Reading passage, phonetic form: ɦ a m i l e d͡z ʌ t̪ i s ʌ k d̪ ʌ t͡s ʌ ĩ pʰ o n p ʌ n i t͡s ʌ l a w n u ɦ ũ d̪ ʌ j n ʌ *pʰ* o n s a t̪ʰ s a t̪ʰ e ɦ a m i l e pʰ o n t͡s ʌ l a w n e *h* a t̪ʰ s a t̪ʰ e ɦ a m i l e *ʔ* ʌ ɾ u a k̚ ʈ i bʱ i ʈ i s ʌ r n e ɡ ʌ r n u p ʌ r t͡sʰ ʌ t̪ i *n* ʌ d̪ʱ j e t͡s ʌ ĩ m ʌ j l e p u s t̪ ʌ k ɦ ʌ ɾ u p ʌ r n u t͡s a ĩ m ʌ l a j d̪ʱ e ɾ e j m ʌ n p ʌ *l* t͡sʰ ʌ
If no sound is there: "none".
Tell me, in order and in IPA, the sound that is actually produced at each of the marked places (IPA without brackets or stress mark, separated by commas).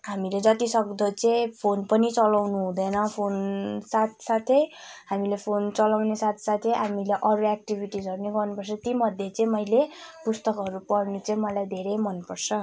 pʰ, s, ʔ, m, r